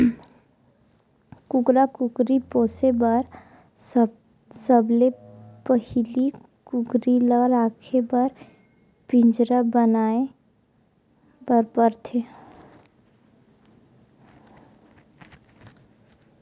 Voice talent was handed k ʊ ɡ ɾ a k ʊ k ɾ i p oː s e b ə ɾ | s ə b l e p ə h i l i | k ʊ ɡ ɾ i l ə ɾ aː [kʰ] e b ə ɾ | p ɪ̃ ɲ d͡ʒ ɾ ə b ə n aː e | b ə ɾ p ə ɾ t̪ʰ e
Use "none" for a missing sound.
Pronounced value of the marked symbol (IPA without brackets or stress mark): kʰ